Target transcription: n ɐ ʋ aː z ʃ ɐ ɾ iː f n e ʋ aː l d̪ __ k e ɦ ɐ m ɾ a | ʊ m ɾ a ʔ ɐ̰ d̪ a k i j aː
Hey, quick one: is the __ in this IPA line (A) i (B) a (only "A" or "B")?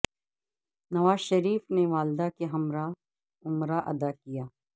B